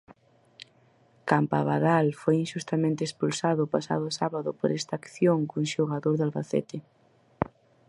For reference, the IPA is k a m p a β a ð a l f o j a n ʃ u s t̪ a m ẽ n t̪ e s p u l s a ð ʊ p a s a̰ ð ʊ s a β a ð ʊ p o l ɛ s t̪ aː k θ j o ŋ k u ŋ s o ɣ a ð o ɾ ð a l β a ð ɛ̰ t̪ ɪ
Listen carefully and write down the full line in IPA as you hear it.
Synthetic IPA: k a m p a β a ð a l f o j i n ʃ u s t̪ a m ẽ n t̪ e s p u l s a ð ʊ p a s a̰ ð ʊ s a β a ð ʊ p o ɾ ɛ s t̪ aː k θ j o ŋ k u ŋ ʃ o ɣ a ð o ɾ ð a l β a θ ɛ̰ t̪ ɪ

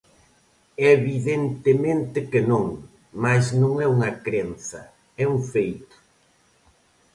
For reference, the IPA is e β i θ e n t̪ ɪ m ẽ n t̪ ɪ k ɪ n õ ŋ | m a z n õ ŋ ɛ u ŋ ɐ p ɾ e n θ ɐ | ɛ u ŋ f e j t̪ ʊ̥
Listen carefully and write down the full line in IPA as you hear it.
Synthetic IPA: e β i ð e n t̪ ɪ m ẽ n t̪ ɪ k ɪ n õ ŋ | m a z n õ ŋ ɛ u ŋ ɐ k ɾ e n θ ɐ | ɛ u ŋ f e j t̪ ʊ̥

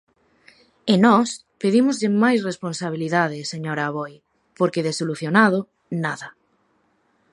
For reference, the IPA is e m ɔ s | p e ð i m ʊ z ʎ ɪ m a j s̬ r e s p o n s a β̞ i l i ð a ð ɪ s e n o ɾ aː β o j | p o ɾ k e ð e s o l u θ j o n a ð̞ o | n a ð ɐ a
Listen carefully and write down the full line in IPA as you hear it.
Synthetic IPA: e n ɔ s | p e ð i m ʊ z ʎ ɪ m a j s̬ r e s p o n s a β̞ i l i ð a ð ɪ s e ɲ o ɾ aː β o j | p o ɾ k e ð e s o l u θ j o n a ð̞ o | n a ð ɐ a

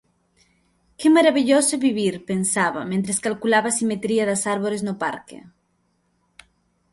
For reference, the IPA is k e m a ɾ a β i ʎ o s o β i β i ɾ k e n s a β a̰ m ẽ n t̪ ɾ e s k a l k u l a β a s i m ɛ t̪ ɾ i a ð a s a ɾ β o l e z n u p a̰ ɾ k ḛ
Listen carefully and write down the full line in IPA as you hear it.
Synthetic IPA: k e m a ɾ a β i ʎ o s o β i β i ɾ p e n s a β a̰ m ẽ n t̪ ɾ e s k a l k u l a β a s i m e t̪ ɾ i a ð a s a ɾ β o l e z n o p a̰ ɾ k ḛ

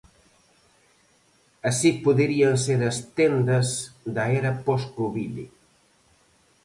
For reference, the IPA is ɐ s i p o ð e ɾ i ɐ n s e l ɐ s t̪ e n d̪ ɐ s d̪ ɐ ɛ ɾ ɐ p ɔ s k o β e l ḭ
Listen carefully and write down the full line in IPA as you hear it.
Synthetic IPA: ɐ s i p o ð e ɾ i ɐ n s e ɾ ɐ s t̪ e n d̪ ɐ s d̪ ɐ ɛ ɾ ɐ p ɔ s k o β i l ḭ

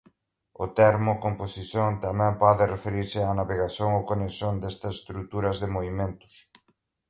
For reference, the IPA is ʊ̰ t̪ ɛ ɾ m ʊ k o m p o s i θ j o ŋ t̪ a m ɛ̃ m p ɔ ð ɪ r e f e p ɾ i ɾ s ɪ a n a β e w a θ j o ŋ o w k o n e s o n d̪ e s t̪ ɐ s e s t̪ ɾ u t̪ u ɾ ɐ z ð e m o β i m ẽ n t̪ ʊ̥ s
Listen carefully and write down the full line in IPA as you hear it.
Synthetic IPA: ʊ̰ t̪ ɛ ɾ m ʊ k o m p o s i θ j o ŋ t̪ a m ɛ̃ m p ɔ ð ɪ r e f e ɾ i ɾ s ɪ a n a β e ɣ a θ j o ŋ o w k o n e s o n d̪ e s t̪ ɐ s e s t̪ ɾ u t̪ u ɾ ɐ z ð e m o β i m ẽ n t̪ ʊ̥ s

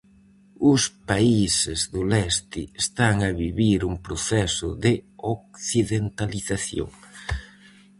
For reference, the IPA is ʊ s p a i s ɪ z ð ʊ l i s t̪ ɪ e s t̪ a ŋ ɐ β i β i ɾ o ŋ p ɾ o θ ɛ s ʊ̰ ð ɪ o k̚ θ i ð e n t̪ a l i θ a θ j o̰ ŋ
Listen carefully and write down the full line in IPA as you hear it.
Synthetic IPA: ʊ s p a i s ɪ z ð ʊ l ɛ s t̪ ɪ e s t̪ a ŋ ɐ β i β i ɾ u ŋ p ɾ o θ ɛ s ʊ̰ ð ɪ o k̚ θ i ð e n t̪ a l i θ a θ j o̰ ŋ

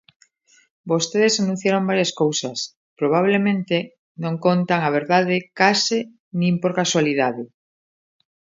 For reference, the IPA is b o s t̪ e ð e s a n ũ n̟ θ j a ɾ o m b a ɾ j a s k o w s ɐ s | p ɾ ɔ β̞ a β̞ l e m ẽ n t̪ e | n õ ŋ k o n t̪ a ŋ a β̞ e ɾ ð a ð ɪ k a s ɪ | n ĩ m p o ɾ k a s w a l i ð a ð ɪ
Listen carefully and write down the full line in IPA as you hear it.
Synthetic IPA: b o s t̪ e ð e s a n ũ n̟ θ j a ɾ o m b a ɾ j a s k o w s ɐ s | p ɾ o β̞ a β̞ l e m ẽ n t̪ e | n õ ŋ k o n t̪ a ŋ a β̞ e ɾ ð a ð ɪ k a s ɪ | n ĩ m p o ɾ k a s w a l i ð a ð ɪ

